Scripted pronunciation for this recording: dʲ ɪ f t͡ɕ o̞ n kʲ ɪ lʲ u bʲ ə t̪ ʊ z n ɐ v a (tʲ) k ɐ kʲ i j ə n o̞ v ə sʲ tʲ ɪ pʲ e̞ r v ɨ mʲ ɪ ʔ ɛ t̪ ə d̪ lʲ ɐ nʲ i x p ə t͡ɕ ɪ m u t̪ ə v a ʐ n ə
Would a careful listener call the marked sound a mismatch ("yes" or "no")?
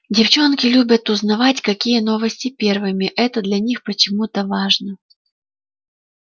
no